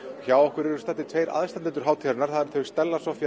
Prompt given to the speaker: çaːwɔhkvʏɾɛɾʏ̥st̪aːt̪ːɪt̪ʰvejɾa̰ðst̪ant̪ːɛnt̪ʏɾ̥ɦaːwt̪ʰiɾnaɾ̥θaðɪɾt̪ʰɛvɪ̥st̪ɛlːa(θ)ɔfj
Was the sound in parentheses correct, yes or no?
no